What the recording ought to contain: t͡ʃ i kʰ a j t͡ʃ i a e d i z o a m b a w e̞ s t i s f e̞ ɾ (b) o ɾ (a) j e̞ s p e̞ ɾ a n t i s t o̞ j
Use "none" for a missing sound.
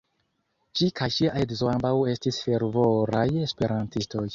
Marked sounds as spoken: v, a

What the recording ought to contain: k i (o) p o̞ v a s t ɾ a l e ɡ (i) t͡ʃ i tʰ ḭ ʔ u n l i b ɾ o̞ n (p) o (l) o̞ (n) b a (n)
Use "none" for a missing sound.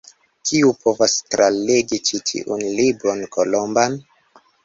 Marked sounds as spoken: u, i, k, l, m, n

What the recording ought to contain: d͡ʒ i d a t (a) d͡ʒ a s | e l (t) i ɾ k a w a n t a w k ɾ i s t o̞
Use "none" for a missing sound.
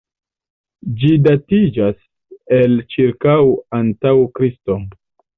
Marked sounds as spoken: i, t͡ʃ

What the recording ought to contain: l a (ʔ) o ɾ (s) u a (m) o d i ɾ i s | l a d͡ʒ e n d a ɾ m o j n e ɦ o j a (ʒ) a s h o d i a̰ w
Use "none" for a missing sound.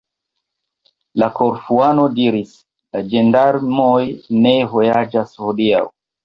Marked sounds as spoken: k, f, n, d͡ʒ

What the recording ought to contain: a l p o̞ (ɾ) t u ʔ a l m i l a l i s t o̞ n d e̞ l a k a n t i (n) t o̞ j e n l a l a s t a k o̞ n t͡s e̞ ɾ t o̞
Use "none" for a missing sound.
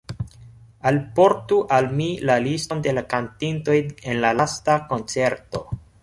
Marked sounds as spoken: ɾ, n

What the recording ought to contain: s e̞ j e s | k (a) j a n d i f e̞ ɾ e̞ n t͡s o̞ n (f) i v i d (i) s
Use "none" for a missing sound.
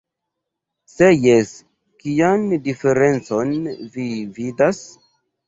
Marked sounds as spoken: i, v, a

